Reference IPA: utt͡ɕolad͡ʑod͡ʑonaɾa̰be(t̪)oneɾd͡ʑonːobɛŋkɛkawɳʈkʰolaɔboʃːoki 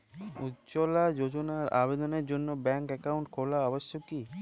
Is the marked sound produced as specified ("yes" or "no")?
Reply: no